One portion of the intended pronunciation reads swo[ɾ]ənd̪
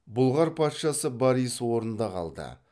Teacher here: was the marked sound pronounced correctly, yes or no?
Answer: yes